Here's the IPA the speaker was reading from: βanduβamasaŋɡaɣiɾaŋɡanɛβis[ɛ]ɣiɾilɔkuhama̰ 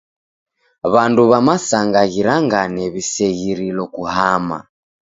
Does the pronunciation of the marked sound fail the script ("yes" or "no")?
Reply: no